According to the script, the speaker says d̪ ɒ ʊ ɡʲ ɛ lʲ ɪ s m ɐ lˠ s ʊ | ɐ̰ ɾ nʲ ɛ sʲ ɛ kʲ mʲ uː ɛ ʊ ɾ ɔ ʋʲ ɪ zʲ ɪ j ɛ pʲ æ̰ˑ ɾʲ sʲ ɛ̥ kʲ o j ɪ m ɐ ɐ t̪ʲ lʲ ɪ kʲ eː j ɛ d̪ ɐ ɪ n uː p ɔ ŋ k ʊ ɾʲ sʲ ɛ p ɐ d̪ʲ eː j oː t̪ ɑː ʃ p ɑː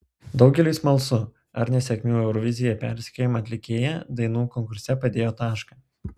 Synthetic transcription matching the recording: d̪ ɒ ʊ ɡʲ ɛ lʲ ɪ s m ɐ lˠ s ʊ | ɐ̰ ɾ nʲ ɛ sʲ ɛ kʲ mʲ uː ɛ ʊ ɾ ɔ ʋʲ ɪ zʲ ɪ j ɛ pʲ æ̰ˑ ɾʲ sʲ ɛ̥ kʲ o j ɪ m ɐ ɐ t̪ʲ lʲ ɪ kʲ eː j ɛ d̪ ɐ ɪ n uː k ɔ ŋ k ʊ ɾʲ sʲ ɛ p ɐ d̪ʲ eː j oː t̪ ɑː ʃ k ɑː